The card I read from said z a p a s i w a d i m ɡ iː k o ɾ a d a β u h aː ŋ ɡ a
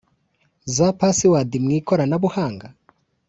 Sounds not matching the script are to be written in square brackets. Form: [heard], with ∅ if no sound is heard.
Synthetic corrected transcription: z a p a s i w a d i m [ŋ] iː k o ɾ a [n] a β u h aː ŋ ɡ a